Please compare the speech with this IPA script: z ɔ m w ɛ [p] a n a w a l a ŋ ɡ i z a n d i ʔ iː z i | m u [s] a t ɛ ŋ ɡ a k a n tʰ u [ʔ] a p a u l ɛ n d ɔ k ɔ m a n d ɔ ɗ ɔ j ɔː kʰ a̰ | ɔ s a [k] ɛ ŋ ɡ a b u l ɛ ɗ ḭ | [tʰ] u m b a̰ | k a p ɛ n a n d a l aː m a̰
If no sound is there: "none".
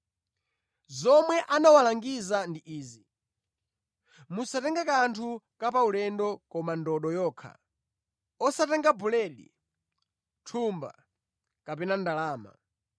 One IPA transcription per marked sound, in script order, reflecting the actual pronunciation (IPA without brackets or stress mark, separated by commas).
ʔ, s, k, t, tʰ